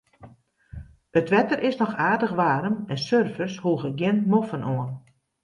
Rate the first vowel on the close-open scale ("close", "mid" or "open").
mid